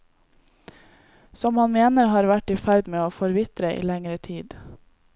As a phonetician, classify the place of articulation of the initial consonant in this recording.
alveolar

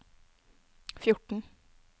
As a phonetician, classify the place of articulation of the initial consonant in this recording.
labial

